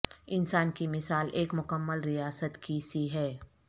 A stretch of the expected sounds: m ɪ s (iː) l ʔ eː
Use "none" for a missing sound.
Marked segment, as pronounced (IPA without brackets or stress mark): aː